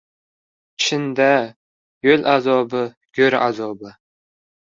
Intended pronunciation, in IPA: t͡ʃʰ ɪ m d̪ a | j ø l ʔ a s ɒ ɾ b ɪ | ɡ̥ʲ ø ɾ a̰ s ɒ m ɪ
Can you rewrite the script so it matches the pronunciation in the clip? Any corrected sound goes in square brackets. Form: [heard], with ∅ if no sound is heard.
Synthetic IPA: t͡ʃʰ ɪ [n] d̪ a | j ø l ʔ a [z] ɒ [∅] b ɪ | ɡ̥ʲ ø ɾ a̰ [z] ɒ [b] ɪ